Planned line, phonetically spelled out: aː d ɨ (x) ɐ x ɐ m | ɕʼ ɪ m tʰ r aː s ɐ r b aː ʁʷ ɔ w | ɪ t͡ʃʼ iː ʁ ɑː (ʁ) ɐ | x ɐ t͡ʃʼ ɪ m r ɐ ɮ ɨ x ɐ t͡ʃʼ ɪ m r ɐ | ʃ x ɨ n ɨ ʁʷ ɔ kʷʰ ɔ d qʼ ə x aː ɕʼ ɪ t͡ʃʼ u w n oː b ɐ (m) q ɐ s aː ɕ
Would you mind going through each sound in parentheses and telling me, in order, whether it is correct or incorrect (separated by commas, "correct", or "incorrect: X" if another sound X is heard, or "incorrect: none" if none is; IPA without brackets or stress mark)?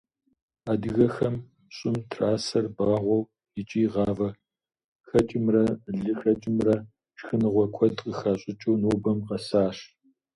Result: incorrect: ɣ, incorrect: v, correct